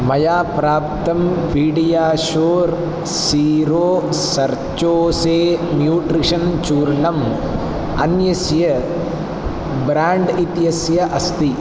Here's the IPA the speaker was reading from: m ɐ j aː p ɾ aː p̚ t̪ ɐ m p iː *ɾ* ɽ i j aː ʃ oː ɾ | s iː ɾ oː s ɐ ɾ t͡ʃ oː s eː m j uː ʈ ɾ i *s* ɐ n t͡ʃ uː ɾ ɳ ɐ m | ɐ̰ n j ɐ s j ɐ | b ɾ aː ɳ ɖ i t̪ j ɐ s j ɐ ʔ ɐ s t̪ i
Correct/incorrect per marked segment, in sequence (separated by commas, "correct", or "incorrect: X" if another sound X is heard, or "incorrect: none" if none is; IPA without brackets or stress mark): incorrect: none, incorrect: ʂ